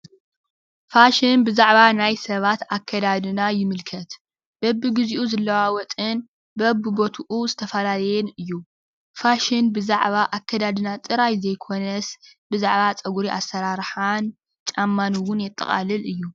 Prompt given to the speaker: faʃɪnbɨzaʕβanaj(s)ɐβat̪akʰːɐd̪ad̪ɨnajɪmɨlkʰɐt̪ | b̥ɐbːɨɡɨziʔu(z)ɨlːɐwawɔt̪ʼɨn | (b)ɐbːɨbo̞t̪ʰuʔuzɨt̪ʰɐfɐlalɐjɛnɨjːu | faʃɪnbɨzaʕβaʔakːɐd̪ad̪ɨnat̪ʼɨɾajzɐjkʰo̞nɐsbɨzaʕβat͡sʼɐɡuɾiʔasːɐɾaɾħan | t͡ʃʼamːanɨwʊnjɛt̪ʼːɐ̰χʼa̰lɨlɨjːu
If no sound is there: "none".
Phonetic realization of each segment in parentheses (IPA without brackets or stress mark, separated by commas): s, z, b